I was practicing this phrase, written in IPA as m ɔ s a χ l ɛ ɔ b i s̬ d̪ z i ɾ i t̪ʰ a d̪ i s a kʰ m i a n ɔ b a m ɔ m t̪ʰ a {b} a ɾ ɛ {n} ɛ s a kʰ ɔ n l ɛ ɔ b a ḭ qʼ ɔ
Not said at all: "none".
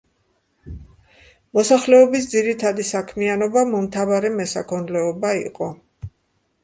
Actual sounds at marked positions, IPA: v, m

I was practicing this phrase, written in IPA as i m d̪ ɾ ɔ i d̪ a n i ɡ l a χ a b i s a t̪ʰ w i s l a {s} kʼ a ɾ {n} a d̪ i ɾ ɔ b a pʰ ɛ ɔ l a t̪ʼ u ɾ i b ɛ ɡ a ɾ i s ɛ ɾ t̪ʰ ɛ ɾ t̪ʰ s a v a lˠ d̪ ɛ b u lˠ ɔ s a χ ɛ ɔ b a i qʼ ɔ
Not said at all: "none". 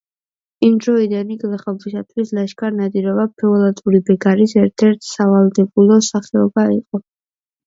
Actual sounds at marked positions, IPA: ʃ, n

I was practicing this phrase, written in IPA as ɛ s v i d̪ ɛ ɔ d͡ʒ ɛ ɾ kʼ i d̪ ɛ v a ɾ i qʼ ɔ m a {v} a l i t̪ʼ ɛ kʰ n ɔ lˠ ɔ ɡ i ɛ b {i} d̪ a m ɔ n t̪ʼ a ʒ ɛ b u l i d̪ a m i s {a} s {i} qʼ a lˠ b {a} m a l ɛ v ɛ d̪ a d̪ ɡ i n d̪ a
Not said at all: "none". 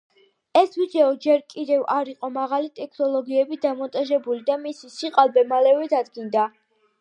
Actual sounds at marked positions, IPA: ʁ, i, i, i, ɛ

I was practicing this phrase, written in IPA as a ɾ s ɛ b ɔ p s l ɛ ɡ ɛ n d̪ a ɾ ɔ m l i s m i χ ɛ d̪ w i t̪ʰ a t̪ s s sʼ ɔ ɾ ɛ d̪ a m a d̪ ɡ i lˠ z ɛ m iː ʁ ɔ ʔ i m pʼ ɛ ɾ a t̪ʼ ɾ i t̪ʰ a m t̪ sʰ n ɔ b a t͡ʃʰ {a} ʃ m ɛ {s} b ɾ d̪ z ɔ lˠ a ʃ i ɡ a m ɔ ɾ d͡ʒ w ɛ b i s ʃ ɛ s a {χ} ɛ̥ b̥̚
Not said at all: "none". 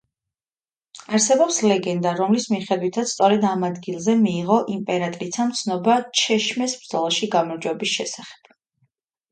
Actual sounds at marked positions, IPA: ɛ, s, χ

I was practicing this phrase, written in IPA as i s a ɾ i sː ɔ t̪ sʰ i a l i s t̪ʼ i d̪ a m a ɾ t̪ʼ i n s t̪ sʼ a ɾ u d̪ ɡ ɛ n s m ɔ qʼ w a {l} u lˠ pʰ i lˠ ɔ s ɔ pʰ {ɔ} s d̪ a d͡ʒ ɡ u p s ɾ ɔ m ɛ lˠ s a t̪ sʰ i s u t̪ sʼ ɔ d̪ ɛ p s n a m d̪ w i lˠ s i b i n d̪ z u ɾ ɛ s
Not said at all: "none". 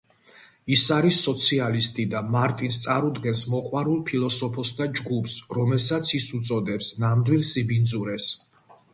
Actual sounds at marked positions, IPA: ɾ, ɔ

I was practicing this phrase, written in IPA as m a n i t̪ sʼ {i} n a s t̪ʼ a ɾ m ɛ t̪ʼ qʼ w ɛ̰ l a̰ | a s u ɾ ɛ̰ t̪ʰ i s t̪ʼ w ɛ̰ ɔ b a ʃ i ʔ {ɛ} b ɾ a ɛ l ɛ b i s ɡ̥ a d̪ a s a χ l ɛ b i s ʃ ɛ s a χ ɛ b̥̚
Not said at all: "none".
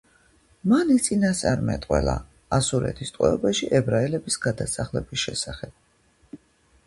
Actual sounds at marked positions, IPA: i, ɛ

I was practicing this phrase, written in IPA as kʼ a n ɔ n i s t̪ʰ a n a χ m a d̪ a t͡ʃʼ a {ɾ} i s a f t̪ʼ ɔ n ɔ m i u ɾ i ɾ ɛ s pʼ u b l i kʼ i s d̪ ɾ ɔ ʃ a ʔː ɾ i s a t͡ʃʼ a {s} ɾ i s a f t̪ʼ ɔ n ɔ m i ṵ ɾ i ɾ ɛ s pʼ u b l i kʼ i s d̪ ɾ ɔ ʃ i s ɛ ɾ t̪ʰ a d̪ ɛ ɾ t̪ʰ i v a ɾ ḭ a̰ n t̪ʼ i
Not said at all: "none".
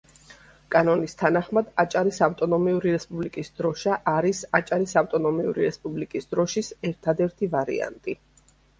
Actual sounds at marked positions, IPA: ɾ, none

